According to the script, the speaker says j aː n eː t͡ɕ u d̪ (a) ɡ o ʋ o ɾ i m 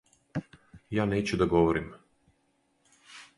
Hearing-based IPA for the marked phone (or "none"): a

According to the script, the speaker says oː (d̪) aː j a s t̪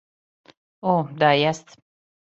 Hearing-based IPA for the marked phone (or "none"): d̪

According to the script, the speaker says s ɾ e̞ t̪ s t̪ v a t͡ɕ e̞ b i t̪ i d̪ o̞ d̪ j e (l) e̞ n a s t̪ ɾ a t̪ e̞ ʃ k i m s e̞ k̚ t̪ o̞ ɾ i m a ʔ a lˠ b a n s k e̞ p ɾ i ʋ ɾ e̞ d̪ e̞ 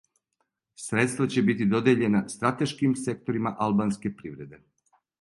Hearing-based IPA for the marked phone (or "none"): ʎ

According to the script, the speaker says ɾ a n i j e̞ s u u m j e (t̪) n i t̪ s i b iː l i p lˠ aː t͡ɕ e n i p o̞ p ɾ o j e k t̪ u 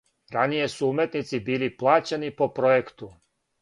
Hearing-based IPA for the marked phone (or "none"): t̪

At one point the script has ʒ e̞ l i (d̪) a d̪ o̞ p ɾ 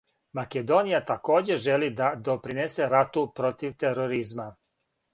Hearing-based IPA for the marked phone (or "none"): d̪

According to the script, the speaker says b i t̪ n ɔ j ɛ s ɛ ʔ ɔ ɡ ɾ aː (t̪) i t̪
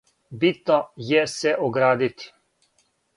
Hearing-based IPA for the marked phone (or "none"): d̪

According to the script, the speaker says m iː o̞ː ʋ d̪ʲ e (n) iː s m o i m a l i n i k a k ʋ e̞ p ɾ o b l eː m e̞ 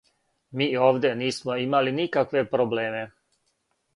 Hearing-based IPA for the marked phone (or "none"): n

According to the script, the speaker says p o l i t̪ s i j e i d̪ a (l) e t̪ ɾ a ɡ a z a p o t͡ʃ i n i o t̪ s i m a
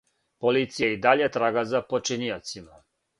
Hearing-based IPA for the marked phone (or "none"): ʎ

